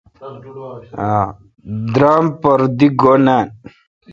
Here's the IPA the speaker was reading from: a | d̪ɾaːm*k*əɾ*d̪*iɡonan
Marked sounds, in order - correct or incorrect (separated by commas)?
incorrect, correct